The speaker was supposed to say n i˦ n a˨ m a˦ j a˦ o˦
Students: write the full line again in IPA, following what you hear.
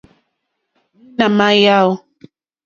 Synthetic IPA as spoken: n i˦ n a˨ m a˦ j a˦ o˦

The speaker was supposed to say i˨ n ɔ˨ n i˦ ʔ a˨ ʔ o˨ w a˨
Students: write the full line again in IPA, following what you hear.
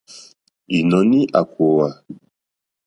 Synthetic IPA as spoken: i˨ n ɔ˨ n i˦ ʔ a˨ k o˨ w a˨

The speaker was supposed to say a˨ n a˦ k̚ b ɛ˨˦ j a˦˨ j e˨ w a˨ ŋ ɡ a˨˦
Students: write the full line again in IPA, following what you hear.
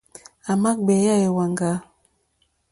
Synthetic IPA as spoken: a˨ m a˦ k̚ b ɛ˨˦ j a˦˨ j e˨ w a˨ ŋ ɡ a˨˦

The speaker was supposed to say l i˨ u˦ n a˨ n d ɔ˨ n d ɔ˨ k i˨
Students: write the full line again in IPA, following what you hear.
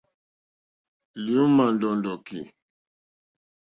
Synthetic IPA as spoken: l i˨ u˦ m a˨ n d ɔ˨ n d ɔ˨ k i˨

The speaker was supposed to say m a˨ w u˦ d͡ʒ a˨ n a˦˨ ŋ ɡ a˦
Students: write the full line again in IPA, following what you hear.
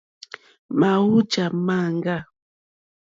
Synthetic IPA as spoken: m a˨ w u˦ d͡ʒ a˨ m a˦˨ ŋ ɡ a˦

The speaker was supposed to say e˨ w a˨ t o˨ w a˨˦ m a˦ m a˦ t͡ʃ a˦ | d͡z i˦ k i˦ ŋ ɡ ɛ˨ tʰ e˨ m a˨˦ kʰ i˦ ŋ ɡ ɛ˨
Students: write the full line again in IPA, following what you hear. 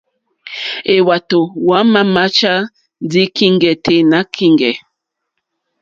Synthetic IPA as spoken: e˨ w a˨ t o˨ w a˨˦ m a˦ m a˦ t͡ʃ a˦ | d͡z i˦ k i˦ ŋ ɡ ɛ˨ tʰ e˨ n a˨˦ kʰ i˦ ŋ ɡ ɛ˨

